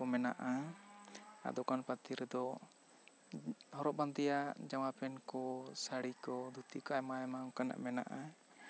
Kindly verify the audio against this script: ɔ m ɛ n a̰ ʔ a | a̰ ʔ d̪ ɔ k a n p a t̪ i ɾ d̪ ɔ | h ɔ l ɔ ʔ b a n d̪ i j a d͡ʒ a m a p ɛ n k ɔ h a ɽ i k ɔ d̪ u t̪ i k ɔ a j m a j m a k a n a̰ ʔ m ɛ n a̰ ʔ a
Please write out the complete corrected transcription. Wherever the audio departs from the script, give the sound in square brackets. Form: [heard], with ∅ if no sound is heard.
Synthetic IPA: ɔ m ɛ n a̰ ʔ a | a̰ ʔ d̪ ɔ k a n p a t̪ i ɾ d̪ ɔ | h ɔ [ɾ] ɔ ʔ b a n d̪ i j a d͡ʒ a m a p ɛ n k ɔ [s] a ɽ i k ɔ d̪ u t̪ i k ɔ a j m a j m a k a n a̰ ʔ m ɛ n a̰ ʔ a